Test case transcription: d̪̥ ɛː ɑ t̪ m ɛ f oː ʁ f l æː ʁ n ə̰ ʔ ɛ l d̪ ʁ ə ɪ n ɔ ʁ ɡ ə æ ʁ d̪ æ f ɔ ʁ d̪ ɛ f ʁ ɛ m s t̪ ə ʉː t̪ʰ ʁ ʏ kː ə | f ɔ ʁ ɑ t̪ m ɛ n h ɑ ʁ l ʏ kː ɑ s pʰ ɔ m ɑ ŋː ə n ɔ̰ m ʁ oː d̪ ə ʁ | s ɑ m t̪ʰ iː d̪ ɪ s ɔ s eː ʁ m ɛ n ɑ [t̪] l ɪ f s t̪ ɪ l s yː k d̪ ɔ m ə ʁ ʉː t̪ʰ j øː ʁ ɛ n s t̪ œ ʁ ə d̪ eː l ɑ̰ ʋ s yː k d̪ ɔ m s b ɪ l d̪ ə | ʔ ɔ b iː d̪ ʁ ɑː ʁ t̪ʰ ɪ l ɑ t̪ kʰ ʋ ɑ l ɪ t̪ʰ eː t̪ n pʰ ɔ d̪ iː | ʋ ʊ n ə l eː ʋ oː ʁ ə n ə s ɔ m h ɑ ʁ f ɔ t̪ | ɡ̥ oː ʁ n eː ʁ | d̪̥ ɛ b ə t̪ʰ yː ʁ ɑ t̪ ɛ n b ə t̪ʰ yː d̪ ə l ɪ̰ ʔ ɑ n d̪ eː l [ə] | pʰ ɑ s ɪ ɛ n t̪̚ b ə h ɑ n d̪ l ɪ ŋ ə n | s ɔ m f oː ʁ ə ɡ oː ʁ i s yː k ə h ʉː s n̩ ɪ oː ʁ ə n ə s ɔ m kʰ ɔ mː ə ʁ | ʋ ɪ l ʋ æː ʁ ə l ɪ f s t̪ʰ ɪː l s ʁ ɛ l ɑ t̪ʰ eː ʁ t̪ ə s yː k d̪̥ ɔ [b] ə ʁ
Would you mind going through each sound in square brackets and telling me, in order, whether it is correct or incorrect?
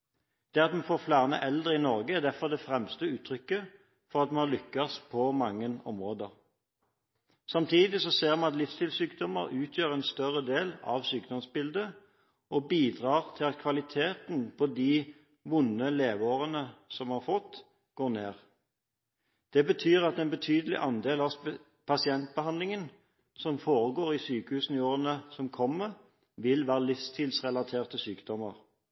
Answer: correct, incorrect: ɑ, incorrect: m

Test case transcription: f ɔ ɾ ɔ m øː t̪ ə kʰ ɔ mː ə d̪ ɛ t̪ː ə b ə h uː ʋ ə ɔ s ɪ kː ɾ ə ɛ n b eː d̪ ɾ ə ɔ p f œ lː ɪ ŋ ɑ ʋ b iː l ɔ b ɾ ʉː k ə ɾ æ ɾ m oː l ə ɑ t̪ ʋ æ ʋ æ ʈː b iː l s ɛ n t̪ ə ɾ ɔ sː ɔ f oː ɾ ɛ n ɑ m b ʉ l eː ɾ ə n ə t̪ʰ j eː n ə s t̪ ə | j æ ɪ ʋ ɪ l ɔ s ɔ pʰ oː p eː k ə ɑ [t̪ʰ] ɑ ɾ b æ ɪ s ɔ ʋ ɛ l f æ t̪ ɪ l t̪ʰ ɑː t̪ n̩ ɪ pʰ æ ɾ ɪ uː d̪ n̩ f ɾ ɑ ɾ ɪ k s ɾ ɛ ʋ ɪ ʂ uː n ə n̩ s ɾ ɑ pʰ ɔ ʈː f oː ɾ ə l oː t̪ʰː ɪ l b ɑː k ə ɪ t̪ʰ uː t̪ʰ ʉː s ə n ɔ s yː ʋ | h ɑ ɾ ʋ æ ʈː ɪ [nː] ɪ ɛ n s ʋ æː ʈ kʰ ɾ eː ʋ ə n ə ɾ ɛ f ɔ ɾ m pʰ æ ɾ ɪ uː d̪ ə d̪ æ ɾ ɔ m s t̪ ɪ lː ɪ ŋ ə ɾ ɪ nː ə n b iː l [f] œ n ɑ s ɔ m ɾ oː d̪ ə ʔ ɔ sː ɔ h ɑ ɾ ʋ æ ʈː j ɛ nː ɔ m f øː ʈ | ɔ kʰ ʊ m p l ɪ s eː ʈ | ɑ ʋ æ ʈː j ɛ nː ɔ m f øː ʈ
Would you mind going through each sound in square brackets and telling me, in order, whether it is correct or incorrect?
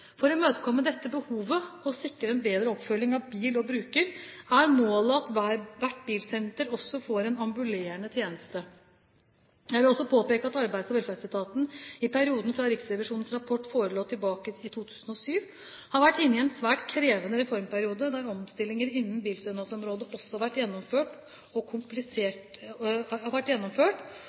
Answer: incorrect: t̪, correct, incorrect: s

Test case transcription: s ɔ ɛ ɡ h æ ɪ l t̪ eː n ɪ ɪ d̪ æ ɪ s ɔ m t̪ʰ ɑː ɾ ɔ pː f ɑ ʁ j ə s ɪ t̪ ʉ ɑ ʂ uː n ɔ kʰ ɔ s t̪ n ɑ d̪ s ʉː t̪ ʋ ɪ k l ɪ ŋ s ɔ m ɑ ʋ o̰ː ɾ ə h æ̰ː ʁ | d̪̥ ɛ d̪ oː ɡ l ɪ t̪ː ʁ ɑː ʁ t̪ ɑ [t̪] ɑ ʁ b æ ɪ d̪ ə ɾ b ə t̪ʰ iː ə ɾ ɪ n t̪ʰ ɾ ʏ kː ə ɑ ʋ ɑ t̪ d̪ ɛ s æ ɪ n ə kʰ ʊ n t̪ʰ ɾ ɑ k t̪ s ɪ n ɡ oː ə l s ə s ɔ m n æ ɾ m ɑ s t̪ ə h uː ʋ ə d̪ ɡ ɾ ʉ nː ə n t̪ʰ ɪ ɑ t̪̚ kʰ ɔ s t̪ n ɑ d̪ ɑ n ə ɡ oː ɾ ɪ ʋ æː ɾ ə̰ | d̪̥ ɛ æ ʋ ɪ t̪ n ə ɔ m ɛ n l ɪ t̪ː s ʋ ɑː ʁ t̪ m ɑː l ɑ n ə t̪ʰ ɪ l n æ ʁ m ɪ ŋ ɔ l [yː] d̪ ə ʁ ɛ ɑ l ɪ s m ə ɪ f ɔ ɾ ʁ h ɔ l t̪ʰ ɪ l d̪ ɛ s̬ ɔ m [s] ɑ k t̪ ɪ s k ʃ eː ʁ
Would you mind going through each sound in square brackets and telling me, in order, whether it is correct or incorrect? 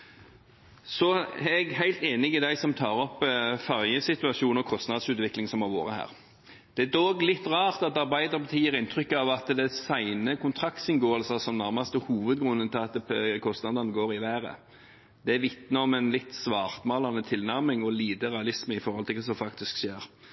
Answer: correct, incorrect: iː, incorrect: f

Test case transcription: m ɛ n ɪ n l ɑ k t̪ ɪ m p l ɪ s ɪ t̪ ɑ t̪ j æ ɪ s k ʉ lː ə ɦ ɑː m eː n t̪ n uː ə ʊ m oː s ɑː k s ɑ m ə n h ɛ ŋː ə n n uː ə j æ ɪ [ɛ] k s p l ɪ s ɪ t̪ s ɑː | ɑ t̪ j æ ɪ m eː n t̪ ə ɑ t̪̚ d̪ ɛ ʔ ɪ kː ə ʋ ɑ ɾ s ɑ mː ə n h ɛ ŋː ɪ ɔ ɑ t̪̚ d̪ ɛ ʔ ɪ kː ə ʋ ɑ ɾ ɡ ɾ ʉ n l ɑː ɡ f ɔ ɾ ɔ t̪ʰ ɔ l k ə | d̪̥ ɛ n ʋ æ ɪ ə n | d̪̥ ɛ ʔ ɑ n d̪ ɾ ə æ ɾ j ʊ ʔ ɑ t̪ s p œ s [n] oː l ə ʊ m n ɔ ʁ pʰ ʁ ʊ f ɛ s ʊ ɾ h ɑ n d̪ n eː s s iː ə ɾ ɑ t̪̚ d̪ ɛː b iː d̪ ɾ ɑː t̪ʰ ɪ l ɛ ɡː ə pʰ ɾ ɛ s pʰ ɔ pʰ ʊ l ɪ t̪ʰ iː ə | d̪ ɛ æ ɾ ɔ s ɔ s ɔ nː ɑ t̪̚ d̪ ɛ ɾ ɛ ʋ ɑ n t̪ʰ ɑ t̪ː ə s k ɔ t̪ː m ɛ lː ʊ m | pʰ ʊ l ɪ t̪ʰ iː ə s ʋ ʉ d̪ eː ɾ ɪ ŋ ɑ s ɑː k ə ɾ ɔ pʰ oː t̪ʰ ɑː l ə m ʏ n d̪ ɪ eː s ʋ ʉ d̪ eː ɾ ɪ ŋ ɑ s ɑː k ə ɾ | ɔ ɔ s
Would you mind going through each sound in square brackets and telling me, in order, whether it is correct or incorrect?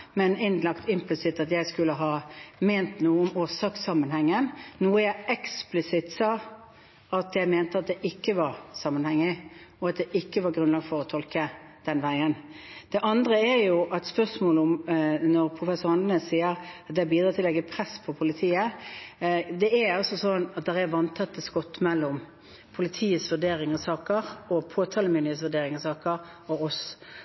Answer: correct, incorrect: m

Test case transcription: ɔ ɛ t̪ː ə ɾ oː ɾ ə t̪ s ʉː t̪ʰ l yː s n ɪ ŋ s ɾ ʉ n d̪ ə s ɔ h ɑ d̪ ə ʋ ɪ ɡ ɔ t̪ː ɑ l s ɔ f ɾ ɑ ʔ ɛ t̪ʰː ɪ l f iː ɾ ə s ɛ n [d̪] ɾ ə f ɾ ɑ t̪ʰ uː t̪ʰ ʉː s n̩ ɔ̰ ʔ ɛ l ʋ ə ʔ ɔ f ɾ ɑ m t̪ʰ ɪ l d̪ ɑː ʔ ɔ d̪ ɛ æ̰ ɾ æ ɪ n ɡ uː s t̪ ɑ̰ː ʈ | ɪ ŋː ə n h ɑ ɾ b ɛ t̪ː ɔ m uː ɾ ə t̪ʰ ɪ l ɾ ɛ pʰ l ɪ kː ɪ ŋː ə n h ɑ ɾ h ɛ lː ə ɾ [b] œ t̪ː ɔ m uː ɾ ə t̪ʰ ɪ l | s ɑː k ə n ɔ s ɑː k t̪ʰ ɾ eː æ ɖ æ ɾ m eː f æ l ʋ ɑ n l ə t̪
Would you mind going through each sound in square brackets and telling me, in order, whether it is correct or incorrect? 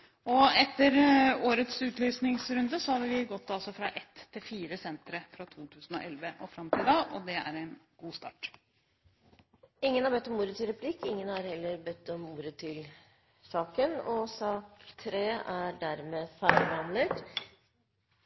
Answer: incorrect: t̪, correct

